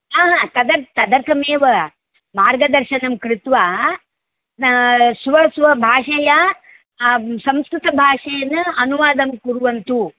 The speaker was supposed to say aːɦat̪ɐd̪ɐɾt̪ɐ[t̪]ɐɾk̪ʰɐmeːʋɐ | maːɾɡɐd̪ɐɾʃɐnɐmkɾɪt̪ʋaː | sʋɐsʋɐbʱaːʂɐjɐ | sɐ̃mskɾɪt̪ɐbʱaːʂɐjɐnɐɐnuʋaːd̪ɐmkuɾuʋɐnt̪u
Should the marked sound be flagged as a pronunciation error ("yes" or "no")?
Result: yes